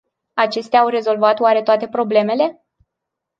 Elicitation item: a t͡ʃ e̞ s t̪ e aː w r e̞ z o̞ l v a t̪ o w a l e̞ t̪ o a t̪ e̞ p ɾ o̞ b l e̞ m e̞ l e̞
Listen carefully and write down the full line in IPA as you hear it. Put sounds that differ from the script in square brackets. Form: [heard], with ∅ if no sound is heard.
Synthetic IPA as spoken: a t͡ʃ e̞ s t̪ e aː w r e̞ z o̞ l v a t̪ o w a [ɾ] e̞ t̪ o a t̪ e̞ p ɾ o̞ b l e̞ m e̞ l e̞